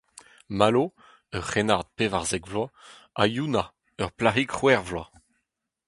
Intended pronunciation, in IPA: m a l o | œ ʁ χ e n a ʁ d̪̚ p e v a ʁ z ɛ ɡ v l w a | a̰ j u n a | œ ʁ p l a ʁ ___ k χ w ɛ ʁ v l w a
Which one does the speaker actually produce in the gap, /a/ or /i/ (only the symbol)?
i